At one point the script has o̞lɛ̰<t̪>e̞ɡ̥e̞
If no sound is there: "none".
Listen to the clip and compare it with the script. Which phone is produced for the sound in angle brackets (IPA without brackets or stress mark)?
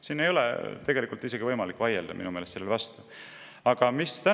t̪